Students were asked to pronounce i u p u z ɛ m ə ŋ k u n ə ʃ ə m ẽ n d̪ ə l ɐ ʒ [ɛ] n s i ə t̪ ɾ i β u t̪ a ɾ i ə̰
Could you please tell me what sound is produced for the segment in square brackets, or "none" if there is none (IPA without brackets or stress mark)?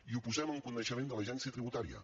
ɛ